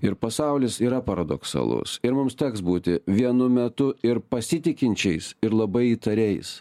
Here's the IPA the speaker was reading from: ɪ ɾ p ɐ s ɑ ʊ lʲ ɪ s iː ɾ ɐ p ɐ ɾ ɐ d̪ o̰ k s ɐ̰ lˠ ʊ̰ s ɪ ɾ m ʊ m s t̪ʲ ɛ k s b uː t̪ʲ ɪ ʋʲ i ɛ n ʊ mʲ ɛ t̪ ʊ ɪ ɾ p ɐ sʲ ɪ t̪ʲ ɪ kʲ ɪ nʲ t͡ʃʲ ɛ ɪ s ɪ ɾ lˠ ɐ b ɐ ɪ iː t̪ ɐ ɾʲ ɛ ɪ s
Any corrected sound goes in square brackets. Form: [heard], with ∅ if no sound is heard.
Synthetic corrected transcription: ɪ ɾ p ɐ s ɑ ʊ lʲ ɪ s iː ɾ ɐ p ɐ ɾ ɐ d̪ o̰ k s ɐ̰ lˠ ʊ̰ s ɪ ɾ m ʊ m s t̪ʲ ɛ k s b uː t̪ʲ ɪ ʋʲ i ɛ n ʊ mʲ ɛ t̪ ʊ ɪ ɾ p ɐ sʲ ɪ t̪ʲ ɪ kʲ ɪ nʲ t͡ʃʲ ɛ ɪ s ɪ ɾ lˠ ɐ b ɐ ɪ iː t̪ ɐ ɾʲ ɛ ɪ s